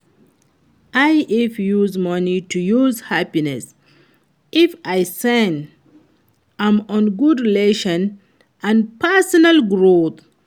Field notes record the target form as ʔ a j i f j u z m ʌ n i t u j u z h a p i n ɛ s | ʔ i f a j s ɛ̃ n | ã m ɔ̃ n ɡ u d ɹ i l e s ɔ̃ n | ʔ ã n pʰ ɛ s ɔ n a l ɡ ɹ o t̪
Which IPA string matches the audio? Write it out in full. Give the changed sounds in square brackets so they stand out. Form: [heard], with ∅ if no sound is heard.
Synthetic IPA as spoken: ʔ a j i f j u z m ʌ n i t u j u z h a p i n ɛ s | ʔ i f a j s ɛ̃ n | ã m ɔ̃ n ɡ u d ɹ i l e [ʃ] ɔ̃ n | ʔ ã n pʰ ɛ s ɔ n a l ɡ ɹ o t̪